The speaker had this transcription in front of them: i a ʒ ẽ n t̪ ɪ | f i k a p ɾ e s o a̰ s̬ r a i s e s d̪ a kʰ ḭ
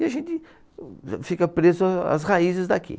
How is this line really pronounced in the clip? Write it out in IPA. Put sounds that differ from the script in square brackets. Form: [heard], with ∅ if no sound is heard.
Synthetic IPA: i a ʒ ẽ n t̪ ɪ | f i k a p ɾ e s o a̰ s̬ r a i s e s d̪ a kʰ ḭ